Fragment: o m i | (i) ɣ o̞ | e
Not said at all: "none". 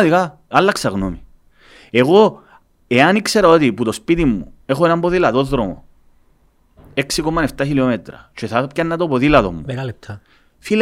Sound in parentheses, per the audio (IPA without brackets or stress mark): e